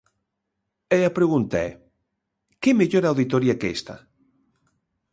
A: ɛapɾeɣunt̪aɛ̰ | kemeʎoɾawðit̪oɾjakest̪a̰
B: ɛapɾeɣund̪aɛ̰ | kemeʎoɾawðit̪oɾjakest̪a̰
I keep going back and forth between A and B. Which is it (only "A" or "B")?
A